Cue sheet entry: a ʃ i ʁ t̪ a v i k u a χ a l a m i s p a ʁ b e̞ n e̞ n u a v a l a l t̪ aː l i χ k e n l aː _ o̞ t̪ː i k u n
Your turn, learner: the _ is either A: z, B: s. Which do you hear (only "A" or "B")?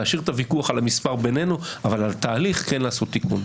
B